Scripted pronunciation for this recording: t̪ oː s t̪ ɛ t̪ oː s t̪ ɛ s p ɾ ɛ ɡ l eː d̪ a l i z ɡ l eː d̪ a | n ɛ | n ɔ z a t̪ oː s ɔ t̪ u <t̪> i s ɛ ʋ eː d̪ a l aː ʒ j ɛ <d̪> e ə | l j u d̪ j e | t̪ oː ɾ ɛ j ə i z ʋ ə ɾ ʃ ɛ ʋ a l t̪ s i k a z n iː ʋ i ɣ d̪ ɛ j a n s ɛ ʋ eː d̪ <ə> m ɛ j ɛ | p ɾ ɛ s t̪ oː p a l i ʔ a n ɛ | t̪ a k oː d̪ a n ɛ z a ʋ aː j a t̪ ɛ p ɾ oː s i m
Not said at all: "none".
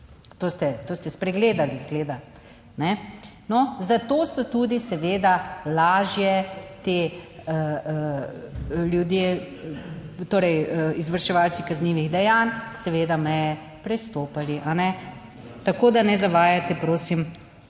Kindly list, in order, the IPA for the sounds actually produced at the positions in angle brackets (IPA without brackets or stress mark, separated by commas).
d̪, t̪, a